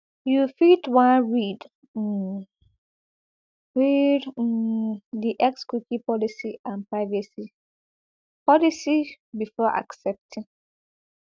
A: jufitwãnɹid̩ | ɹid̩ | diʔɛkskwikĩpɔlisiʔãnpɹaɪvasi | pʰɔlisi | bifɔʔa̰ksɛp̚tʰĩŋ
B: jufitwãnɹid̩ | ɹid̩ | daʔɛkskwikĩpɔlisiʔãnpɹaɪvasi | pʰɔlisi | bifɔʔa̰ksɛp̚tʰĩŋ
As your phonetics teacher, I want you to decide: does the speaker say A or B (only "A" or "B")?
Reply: A